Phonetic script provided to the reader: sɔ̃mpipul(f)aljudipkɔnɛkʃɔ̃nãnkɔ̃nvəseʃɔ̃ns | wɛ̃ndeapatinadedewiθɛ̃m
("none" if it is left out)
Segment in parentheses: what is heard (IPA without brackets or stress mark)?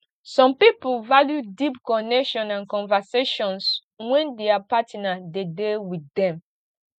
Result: v